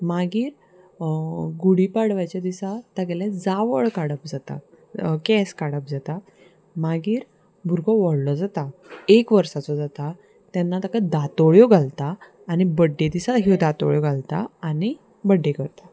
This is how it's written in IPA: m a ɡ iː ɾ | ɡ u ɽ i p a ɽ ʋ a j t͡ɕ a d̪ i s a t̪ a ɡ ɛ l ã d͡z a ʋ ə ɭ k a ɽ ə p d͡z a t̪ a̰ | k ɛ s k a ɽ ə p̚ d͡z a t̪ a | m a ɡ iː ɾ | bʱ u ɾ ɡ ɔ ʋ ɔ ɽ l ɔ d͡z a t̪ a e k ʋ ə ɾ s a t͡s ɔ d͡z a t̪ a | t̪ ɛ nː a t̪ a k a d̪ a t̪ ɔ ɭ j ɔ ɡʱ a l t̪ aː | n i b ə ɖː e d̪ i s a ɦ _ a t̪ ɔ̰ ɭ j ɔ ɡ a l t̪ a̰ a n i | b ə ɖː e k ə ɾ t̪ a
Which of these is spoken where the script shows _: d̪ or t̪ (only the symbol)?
d̪